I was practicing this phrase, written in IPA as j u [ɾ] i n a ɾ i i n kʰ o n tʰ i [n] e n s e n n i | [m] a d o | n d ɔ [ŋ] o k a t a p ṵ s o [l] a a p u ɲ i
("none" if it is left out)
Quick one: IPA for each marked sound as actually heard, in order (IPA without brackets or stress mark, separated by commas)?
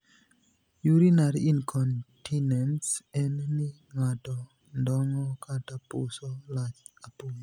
ɾ, n, ŋ, ŋ, l